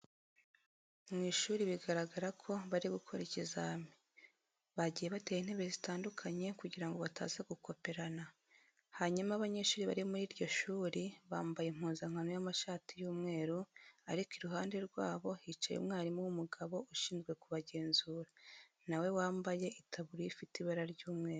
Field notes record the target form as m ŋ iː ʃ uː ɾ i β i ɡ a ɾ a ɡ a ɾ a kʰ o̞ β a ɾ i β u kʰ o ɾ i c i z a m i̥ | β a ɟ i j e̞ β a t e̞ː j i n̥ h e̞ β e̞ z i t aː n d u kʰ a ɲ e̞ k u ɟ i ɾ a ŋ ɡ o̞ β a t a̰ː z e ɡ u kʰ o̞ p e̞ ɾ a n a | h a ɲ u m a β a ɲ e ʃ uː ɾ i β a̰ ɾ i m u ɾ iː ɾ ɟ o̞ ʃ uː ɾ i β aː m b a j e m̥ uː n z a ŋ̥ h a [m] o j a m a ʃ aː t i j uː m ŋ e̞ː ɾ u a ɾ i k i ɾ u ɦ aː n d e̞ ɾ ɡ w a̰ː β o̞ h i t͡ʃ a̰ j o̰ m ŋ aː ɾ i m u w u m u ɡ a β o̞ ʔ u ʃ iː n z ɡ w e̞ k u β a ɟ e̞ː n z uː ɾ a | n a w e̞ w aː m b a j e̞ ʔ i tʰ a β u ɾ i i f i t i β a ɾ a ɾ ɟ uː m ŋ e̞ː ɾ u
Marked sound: incorrect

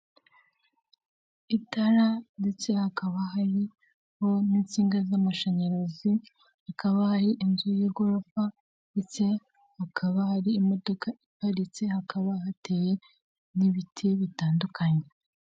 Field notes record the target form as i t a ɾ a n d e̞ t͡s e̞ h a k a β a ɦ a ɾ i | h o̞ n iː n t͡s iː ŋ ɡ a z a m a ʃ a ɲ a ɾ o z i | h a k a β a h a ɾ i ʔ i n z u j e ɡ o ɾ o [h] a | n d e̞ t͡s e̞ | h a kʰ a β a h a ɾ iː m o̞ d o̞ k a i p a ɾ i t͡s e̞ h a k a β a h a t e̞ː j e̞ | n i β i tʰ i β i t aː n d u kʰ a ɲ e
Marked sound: incorrect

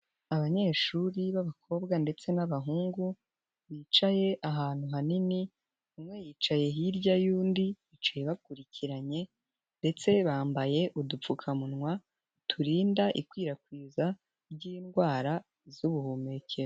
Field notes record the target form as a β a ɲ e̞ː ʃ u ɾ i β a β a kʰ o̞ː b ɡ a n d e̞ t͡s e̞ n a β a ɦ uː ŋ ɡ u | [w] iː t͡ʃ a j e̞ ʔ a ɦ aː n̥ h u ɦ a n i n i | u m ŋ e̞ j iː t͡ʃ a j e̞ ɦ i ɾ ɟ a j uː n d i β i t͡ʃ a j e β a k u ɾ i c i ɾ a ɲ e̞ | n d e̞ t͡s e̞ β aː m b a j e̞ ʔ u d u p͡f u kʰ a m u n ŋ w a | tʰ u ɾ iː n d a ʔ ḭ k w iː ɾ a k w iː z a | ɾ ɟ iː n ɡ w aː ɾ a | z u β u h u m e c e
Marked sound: incorrect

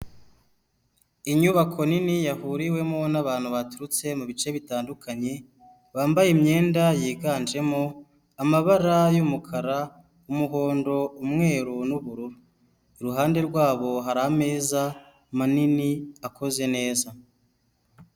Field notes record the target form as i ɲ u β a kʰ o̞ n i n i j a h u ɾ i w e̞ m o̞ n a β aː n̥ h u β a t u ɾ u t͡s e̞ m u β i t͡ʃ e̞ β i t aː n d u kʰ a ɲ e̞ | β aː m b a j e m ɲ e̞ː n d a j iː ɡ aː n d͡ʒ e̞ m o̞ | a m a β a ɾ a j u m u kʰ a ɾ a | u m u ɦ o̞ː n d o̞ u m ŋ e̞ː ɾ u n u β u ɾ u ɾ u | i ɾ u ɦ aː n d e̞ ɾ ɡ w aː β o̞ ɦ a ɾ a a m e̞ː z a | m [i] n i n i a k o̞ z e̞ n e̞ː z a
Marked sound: incorrect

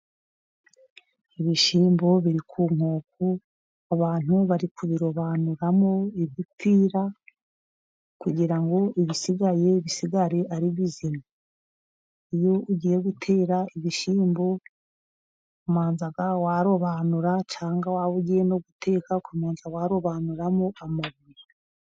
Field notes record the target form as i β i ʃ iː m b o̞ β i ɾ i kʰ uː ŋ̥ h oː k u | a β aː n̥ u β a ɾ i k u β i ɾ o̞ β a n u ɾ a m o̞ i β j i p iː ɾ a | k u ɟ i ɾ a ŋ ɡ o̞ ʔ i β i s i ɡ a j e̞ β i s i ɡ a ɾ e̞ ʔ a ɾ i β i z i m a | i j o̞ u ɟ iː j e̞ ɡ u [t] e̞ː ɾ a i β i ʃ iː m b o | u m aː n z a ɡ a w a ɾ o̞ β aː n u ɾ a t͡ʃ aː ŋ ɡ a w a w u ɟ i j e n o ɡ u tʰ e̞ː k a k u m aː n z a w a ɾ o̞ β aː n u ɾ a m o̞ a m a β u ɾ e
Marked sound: incorrect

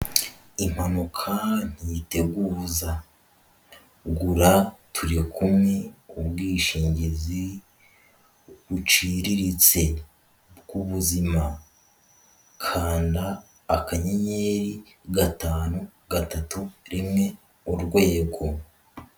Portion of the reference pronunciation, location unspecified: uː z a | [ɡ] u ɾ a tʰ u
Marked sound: correct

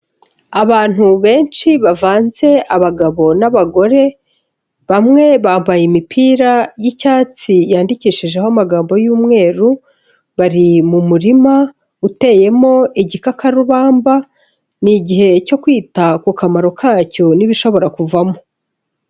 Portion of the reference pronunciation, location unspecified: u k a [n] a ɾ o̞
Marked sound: incorrect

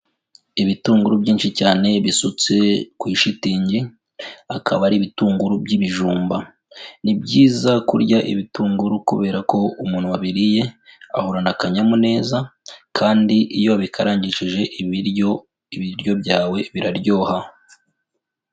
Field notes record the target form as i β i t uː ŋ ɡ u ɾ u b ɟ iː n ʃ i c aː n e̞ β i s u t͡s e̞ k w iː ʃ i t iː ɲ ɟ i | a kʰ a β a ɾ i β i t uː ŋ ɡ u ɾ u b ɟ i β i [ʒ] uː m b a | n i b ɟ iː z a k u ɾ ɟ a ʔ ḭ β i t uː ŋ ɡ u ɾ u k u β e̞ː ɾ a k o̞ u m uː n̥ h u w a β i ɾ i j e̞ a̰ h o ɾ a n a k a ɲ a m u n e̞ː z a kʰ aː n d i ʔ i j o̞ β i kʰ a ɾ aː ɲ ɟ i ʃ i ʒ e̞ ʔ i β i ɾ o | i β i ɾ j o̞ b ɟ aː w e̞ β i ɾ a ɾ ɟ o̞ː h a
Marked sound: correct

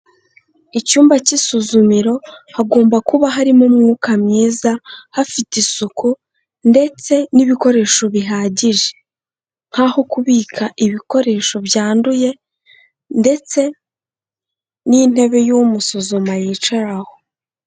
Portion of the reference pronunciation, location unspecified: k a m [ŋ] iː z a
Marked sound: incorrect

